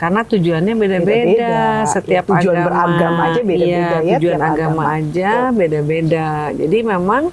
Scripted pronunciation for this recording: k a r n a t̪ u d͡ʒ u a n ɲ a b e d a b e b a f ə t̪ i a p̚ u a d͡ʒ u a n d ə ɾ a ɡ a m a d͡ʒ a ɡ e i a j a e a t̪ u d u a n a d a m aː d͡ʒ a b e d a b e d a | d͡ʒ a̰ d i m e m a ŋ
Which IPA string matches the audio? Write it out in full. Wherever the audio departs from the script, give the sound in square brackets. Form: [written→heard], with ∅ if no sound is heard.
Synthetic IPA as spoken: k a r n a t̪ u d͡ʒ u a n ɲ a b e d a b e [b→d] a [f→s] ə t̪ i a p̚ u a d͡ʒ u a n [d→b] ə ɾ a ɡ a m a d͡ʒ a [ɡ→b] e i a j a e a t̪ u [d→d͡ʒ] u a n a [d→ɡ] a m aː d͡ʒ a b e d a b e d a | d͡ʒ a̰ d i m e m a ŋ